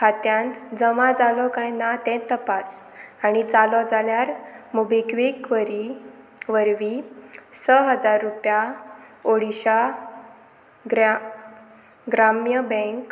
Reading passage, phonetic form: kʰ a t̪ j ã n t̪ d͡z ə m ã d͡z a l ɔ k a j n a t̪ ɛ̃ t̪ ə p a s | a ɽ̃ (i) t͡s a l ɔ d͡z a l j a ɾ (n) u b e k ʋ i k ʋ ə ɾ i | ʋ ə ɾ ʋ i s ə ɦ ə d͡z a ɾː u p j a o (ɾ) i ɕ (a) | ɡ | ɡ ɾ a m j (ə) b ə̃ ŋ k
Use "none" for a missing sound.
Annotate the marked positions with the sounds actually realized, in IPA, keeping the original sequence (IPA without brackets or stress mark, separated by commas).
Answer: i, m, ɽ, a, ə